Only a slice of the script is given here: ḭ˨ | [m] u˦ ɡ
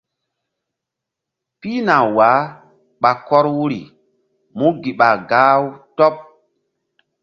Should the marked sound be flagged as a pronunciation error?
no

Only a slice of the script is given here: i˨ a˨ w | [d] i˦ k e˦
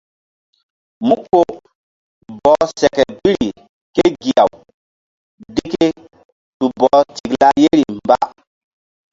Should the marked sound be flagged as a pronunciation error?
no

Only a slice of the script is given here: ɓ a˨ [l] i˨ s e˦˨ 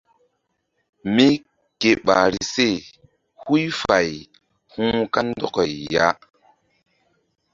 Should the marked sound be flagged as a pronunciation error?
yes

